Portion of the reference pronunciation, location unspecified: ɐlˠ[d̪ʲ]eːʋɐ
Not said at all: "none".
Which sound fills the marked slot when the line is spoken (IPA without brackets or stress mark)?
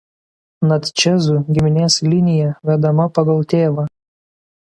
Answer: t̪ʲ